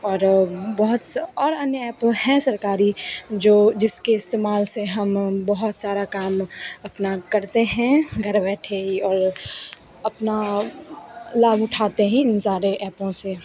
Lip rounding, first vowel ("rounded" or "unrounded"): rounded